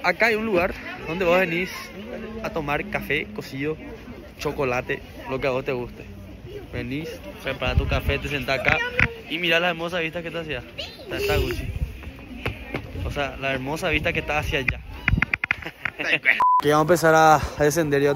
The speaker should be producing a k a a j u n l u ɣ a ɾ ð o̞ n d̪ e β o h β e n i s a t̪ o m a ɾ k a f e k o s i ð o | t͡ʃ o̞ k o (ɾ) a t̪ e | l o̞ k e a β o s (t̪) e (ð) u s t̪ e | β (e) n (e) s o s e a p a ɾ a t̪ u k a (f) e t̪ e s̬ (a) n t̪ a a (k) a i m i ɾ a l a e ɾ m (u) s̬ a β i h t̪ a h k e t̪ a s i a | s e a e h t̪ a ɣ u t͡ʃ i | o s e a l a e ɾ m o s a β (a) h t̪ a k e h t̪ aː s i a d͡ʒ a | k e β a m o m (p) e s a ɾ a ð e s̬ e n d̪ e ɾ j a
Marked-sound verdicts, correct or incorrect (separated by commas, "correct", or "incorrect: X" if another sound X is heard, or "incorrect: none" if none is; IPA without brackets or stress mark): incorrect: l, correct, incorrect: ɣ, correct, incorrect: i, correct, incorrect: e, correct, incorrect: o, incorrect: i, correct